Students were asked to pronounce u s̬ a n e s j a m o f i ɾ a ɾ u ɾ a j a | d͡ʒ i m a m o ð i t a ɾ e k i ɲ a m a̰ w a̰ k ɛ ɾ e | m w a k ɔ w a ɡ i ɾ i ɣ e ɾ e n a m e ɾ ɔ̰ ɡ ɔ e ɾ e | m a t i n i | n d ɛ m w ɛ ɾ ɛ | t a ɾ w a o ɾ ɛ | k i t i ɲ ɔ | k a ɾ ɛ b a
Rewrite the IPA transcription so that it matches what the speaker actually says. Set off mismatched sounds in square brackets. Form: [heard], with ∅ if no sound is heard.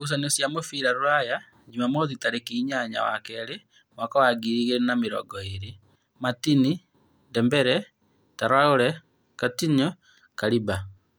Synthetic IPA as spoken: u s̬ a n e s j a m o f i ɾ a ɾ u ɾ a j a | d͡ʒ i m a m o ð i t a ɾ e k i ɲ a [ɲ] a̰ w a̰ k ɛ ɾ e | m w a k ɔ w a ɡ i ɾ i ɣ e ɾ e n a m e ɾ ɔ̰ ɡ ɔ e ɾ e | m a t i n i | n d ɛ m [b] ɛ ɾ ɛ | t a ɾ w a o ɾ ɛ | k [a] t i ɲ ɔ | k a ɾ [i] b a